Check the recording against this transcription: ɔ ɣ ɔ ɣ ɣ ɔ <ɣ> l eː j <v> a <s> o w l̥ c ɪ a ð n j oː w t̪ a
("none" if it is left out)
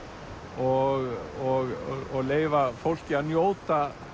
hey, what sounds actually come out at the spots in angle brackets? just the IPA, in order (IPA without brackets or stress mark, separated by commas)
ɣ, v, f